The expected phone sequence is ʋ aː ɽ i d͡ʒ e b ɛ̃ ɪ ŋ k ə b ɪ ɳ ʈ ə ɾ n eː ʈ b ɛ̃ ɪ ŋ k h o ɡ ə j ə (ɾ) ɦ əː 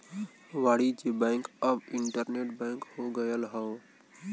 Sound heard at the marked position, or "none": l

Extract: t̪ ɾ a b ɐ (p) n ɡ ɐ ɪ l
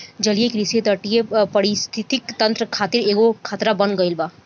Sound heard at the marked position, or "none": none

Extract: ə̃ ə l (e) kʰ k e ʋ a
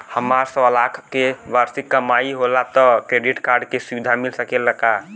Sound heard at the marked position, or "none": a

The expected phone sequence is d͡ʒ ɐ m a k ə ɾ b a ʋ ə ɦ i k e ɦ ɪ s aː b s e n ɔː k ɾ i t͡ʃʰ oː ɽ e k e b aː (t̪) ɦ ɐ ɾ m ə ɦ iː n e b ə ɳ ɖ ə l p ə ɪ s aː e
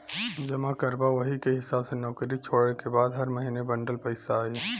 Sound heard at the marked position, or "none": d̪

